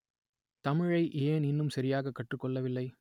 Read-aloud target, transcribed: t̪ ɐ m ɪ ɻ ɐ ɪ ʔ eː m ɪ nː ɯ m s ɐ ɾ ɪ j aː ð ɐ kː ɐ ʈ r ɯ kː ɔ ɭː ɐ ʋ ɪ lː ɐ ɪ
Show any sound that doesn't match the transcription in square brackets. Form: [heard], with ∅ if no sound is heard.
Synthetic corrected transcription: t̪ ɐ m ɪ ɻ ɐ ɪ ʔ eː [n] ɪ nː ɯ m s ɐ ɾ ɪ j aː [ɣ] ɐ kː ɐ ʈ r ɯ kː ɔ ɭː ɐ ʋ ɪ lː ɐ ɪ